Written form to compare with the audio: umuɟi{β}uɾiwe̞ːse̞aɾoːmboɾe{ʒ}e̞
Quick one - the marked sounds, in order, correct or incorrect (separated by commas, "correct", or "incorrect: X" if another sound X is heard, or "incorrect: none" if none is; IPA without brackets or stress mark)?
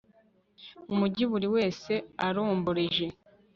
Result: correct, correct